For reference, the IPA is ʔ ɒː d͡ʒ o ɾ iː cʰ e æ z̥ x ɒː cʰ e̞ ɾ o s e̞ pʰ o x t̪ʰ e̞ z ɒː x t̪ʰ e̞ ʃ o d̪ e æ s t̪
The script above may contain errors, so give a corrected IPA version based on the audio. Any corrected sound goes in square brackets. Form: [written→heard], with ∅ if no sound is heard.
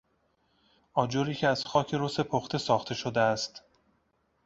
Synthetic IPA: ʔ ɒː d͡ʒ o ɾ iː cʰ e æ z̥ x ɒː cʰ e̞ ɾ o s e̞ pʰ o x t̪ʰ e̞ [z→s] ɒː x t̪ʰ e̞ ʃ o d̪ e æ s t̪